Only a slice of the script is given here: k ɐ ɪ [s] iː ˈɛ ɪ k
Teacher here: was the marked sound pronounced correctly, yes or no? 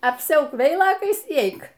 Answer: yes